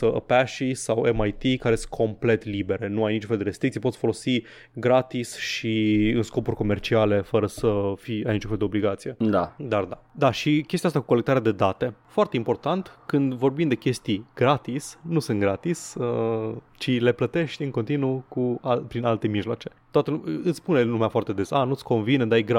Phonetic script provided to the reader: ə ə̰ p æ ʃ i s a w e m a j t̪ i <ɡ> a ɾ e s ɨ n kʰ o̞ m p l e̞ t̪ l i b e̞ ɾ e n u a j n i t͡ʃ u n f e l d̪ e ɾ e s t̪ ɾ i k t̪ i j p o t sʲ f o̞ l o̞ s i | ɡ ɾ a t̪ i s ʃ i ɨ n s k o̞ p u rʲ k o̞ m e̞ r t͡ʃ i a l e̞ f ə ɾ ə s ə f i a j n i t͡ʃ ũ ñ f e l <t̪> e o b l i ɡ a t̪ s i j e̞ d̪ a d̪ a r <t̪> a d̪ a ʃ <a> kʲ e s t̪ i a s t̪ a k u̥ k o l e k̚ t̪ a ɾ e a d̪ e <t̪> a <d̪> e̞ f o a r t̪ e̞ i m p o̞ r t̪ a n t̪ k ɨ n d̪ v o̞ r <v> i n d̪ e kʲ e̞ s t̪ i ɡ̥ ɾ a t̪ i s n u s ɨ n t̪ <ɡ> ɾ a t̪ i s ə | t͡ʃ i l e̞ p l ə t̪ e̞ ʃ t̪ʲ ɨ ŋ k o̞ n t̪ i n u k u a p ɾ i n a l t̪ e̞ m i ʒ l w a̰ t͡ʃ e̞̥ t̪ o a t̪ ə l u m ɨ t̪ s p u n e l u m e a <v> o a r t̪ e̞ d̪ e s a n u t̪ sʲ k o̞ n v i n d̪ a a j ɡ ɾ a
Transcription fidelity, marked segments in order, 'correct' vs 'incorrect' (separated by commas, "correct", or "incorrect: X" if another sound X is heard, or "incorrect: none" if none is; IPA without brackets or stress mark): incorrect: k, incorrect: d̪, incorrect: d̪, incorrect: i, incorrect: d̪, incorrect: t̪, incorrect: b, correct, incorrect: f